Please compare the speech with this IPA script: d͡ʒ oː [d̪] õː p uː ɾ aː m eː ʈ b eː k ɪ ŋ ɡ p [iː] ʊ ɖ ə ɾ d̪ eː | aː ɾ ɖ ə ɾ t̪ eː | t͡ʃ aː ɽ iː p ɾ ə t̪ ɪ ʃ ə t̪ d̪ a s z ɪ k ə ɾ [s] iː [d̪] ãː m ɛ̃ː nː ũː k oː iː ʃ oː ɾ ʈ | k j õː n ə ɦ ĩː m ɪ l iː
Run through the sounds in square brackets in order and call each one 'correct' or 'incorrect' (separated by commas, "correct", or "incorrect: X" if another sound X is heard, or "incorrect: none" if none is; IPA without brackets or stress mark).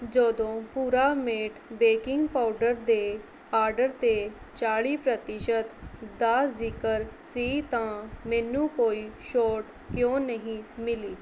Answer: correct, incorrect: aː, correct, incorrect: t̪